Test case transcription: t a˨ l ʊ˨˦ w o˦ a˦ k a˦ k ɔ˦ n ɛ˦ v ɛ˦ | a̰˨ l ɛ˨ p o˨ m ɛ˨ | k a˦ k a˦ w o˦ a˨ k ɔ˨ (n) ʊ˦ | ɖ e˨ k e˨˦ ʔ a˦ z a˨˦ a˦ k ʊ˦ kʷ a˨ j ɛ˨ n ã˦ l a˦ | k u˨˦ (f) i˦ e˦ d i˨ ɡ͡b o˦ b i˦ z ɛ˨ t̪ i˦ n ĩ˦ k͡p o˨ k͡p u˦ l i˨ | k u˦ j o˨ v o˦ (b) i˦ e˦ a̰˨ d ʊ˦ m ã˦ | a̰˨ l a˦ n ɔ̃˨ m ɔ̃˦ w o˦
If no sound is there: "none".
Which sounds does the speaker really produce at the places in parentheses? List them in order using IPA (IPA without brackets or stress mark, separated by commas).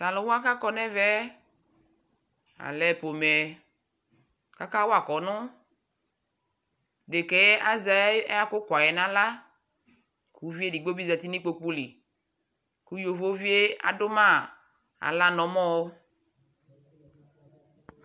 n, v, v